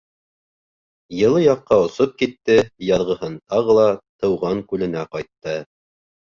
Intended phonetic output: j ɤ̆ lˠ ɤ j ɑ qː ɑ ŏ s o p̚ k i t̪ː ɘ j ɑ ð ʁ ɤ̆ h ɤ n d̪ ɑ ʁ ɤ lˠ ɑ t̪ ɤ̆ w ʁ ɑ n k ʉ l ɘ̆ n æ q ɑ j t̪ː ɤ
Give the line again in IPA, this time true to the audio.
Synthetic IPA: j ɤ̆ lˠ ɤ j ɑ qː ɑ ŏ s o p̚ k i t̪ː ɘ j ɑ ð ʁ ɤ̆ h ɤ n t̪ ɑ ʁ ɤ lˠ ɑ t̪ ɤ̆ w ʁ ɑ ŋ k ʉ l ɘ̆ n æ q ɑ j t̪ː ɤ

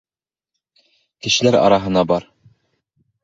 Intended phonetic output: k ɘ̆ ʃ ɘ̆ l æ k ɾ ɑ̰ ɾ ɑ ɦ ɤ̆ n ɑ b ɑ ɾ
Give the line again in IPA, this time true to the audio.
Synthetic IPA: k ɘ̆ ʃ ɘ̆ l æ ɾ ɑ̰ ɾ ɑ ɦ ɤ̆ n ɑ b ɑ ɾ

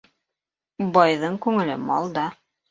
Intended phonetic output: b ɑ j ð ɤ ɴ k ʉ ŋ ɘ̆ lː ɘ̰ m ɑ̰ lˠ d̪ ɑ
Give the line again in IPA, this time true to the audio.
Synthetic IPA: b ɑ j ð ɤ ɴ k ʉ ŋ ɘ̆ l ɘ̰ m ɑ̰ lˠ d̪ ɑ

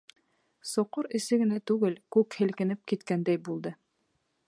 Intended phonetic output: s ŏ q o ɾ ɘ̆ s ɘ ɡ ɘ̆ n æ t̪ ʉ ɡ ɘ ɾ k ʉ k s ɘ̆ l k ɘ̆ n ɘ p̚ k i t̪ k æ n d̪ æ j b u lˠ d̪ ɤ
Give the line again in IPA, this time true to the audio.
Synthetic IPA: s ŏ q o ɾ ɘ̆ s ɘ ɡ ɘ̆ n æ t̪ ʉ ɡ ɘ l k ʉ k h ɘ̆ l k ɘ̆ n ɘ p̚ k i t̪ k æ n d̪ æ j b u lˠ d̪ ɤ

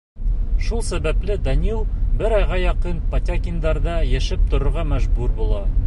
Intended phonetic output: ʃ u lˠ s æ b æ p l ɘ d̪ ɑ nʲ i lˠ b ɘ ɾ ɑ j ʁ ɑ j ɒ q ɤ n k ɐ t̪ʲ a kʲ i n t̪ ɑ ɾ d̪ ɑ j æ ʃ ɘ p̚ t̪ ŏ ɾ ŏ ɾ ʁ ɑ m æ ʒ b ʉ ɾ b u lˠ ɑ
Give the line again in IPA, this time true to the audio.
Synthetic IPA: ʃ u lˠ s æ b æ p l ɘ d̪ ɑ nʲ i lˠ b ɘ ɾ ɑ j ʁ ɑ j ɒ q ɤ n p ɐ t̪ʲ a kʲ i n d̪ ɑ ɾ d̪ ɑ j æ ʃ ɘ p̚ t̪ ŏ ɾ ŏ ɾ ʁ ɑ m æ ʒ b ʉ ɾ b u lˠ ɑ

